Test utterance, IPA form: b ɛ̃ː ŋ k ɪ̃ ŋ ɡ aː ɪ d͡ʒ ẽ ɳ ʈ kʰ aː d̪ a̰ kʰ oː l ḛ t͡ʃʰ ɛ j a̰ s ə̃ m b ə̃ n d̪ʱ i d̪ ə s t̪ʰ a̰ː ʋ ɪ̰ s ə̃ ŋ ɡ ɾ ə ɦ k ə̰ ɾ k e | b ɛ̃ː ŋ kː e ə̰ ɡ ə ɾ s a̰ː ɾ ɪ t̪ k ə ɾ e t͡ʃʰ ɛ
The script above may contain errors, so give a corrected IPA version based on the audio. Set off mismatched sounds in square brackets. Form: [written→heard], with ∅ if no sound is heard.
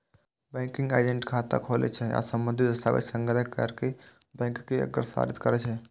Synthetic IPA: b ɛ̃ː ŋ k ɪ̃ ŋ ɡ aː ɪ d͡ʒ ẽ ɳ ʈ kʰ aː [d̪→t̪] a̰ kʰ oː l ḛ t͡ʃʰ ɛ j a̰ s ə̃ m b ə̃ n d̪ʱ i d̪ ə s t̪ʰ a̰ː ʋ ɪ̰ s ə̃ ŋ ɡ ɾ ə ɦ k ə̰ ɾ k e | b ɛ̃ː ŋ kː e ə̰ ɡ ə ɾ s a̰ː ɾ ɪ t̪ k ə ɾ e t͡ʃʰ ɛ